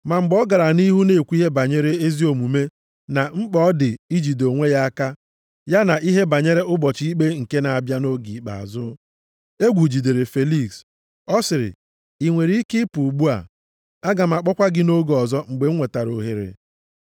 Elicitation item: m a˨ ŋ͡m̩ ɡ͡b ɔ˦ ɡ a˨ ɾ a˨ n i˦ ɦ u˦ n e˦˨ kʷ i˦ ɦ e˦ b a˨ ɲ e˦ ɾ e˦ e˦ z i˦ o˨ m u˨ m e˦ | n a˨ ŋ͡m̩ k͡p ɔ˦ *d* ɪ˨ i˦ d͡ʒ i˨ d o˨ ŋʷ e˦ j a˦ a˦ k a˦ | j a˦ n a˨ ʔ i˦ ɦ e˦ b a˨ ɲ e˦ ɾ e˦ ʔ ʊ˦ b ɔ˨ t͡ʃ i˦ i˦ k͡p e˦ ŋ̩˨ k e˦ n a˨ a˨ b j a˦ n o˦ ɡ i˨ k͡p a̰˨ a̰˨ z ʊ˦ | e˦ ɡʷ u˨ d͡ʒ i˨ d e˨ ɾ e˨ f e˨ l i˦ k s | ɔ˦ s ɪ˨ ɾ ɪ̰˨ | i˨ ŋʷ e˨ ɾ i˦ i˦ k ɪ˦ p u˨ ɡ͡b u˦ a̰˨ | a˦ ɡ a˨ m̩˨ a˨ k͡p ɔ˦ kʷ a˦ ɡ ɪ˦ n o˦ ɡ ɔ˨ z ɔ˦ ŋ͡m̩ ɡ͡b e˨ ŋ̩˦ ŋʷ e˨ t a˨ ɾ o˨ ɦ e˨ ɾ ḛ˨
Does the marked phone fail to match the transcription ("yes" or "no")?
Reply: no